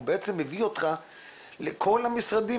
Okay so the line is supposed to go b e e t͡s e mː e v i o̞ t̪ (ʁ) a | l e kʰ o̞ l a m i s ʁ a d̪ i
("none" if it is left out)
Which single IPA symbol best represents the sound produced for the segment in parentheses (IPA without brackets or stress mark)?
χ